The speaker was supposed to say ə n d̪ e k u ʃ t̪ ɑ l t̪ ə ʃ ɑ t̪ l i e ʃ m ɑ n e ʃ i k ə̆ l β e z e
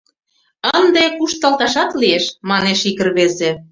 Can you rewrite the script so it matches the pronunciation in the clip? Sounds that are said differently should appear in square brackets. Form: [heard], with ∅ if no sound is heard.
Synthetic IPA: ə n d̪ e k u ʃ t̪ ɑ l t̪ [ɑ] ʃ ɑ t̪ l i e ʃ m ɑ n e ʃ i k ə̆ [r] β e z e